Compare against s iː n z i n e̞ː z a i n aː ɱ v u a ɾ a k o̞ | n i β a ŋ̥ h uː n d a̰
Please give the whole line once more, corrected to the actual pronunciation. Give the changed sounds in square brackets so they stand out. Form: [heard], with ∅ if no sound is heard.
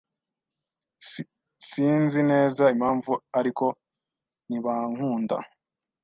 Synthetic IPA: s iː n z i n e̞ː z a i [m] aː ɱ v u a ɾ [i] k o̞ | n i β a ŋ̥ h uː n d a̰